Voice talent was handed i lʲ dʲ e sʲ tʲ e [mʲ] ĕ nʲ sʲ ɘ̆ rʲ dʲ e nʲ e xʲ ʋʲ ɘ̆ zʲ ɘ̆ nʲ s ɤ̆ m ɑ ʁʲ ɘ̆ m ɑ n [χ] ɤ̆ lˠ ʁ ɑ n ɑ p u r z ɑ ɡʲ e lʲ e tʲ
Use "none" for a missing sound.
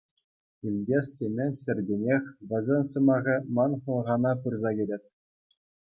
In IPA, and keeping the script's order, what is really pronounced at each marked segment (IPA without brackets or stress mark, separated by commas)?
mʲ, χ